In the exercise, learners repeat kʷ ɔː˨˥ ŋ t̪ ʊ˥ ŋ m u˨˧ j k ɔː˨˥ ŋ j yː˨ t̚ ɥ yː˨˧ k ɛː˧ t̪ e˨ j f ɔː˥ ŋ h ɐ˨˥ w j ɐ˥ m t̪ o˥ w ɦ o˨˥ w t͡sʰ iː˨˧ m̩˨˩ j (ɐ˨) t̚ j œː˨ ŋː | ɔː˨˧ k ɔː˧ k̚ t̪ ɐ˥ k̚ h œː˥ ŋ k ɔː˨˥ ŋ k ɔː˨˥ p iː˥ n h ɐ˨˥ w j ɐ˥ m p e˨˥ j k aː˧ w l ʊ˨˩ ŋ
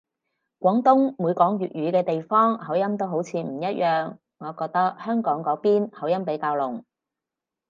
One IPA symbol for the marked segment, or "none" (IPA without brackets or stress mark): ɐ˥